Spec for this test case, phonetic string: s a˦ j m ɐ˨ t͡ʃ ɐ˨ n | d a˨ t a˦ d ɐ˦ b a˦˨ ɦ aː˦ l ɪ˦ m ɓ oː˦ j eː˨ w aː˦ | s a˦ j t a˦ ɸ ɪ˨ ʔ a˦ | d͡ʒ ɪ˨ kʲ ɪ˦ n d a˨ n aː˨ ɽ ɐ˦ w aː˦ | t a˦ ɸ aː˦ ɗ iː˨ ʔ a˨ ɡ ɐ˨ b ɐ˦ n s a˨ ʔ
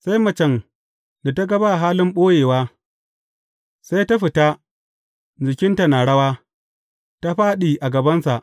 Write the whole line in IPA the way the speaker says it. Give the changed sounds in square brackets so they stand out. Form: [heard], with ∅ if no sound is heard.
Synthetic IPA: s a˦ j m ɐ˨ t͡ʃ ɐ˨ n | d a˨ t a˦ [ɡ] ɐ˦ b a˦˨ ɦ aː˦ l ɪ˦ m ɓ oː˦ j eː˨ w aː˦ | s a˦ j t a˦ ɸ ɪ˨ [t] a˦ | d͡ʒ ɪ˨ kʲ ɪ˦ n [t] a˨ n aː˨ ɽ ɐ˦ w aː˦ | t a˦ ɸ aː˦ ɗ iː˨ ʔ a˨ ɡ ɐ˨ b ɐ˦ n s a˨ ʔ

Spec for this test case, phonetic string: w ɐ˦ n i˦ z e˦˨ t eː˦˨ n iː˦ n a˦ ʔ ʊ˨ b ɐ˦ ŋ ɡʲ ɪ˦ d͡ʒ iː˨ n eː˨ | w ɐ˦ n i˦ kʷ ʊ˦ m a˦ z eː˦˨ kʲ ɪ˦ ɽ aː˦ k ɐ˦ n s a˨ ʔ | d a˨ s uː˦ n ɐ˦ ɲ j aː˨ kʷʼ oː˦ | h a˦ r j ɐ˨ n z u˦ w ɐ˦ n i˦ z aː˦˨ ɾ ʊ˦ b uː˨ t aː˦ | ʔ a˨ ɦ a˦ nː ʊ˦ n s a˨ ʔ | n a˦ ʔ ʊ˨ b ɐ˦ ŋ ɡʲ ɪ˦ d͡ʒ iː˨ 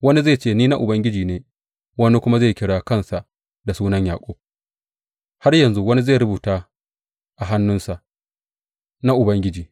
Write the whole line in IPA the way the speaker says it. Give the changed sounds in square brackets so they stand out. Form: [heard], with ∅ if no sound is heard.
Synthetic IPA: w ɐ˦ n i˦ z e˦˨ [t͡ʃ] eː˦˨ n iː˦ n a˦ ʔ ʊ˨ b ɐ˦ ŋ ɡʲ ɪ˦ d͡ʒ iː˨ n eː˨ | w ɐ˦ n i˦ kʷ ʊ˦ m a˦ z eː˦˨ kʲ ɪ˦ ɽ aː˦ k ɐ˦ n s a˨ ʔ | d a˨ s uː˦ n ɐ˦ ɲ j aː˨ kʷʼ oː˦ | h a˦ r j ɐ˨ n z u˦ w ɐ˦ n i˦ z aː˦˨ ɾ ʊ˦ b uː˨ t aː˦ | ʔ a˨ ɦ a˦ nː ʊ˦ n s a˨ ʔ | n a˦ ʔ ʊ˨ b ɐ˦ ŋ ɡʲ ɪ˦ d͡ʒ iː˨

